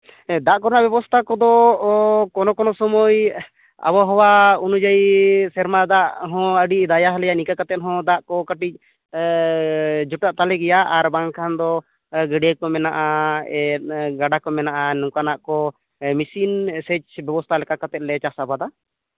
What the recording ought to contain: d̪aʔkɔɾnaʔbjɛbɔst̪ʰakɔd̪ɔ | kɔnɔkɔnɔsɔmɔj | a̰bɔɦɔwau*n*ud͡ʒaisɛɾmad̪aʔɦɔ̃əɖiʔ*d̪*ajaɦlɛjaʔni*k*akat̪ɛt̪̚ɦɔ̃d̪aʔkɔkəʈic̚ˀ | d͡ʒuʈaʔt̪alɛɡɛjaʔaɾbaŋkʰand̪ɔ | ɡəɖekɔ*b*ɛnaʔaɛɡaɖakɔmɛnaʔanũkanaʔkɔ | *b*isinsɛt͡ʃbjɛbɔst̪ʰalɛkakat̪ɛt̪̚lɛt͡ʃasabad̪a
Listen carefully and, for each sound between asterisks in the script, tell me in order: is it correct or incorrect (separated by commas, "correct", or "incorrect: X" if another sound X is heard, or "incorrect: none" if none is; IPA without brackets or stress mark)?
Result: correct, correct, correct, incorrect: m, incorrect: m